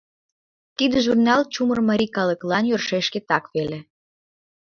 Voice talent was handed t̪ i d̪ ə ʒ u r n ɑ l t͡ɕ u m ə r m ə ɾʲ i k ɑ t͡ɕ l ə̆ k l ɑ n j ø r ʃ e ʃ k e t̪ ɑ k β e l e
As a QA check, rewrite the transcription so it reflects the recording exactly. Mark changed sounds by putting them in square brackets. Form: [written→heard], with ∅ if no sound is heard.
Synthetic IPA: t̪ i d̪ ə ʒ u r n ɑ l t͡ɕ u m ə r m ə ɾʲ i k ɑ [t͡ɕ→∅] l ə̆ k l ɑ n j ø r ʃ e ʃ k e t̪ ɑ k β e l e